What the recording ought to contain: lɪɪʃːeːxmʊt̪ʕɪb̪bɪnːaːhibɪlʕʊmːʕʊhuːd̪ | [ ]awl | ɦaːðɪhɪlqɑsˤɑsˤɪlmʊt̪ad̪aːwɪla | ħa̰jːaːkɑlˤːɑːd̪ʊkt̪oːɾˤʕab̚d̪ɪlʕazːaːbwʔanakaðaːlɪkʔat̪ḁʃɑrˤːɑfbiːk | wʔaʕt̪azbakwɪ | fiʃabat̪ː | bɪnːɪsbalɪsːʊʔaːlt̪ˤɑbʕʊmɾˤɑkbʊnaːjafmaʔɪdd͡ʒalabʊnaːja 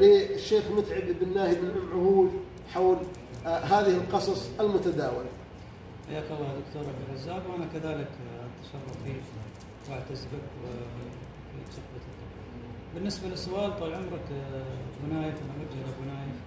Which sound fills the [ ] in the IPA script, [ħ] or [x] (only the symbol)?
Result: ħ